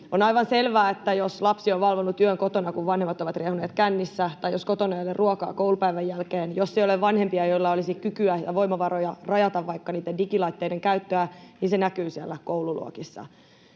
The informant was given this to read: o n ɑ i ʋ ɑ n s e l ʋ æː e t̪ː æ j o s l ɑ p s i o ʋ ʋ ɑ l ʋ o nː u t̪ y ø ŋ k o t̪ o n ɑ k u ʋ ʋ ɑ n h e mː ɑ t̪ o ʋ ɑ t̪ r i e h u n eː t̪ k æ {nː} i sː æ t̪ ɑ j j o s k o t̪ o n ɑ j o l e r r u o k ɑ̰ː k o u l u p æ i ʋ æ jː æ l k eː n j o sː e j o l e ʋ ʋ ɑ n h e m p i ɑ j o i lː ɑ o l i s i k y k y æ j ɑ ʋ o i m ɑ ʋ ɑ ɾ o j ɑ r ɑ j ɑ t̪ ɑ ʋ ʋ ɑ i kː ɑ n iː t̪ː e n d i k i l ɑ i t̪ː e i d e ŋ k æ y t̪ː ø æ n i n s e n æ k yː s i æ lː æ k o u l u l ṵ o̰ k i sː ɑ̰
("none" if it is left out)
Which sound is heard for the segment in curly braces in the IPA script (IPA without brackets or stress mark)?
nː